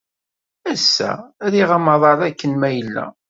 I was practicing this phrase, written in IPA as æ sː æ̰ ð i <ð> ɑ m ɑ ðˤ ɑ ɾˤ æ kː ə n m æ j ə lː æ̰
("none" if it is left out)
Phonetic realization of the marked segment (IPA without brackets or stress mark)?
ʁ